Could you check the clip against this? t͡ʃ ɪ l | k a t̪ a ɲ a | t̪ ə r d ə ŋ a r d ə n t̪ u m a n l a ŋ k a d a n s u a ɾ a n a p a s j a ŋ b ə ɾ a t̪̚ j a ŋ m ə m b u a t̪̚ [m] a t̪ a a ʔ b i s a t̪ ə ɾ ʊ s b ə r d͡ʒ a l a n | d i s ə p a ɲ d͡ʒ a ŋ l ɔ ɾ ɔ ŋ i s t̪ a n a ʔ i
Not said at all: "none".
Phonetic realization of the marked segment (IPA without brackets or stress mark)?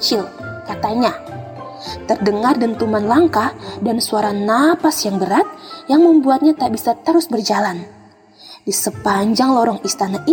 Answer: ɲ